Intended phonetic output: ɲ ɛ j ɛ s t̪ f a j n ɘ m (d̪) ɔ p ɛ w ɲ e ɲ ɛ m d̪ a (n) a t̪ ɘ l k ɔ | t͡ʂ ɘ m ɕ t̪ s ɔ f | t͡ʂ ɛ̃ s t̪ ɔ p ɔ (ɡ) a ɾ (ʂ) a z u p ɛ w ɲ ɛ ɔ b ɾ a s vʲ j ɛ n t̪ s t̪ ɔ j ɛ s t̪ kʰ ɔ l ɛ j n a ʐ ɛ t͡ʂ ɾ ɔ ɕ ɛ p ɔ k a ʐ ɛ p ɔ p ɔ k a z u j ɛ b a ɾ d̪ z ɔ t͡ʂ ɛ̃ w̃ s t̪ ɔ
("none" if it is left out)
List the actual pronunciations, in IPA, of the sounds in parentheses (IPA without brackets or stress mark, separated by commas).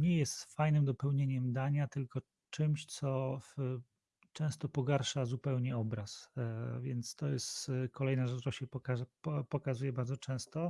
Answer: d̪, ɲ, ɡ, ʂ